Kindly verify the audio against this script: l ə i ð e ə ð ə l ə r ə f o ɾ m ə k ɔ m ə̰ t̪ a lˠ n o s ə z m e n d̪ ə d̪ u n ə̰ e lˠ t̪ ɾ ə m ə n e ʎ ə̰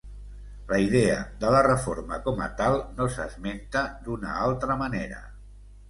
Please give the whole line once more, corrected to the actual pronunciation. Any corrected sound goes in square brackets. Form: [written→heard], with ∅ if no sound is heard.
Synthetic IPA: l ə i ð e ə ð ə l ə r ə f o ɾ m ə k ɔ m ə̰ t̪ a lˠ n o s ə z m e n [d̪→t̪] ə d̪ u n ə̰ [e→a] lˠ t̪ ɾ ə m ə n e [ʎ→ɾ] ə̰